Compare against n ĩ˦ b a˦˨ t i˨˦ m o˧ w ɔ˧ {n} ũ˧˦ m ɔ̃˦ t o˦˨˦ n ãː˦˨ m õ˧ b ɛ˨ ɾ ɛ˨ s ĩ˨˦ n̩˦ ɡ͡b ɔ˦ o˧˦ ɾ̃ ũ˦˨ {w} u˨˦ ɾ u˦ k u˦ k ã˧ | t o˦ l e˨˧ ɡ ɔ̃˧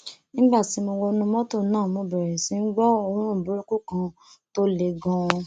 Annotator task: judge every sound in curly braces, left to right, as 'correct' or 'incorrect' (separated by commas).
correct, incorrect